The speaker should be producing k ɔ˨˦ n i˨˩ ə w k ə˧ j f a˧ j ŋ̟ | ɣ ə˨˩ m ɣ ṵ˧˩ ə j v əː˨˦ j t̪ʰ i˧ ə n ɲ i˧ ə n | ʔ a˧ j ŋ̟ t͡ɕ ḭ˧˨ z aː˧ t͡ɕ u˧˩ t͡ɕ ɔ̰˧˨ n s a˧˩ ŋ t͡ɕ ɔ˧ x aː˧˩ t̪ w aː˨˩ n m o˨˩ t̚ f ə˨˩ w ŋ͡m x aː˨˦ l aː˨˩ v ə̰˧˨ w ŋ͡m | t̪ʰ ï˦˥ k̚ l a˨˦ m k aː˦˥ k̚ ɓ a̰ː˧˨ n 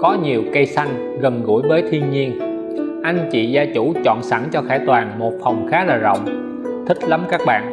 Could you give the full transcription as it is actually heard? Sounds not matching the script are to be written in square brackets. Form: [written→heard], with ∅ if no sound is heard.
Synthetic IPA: k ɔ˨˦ [n→ɲ] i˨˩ ə w k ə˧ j [f→s] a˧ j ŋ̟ | ɣ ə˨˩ [m→n] ɣ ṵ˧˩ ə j v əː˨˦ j t̪ʰ i˧ ə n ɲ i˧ ə n | ʔ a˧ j ŋ̟ t͡ɕ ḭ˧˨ z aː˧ t͡ɕ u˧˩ t͡ɕ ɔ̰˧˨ n s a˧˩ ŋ t͡ɕ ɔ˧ x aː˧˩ t̪ w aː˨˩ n m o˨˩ t̚ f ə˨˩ w ŋ͡m x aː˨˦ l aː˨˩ [v→z] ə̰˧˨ w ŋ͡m | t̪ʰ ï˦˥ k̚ l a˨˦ m k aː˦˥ k̚ ɓ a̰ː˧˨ n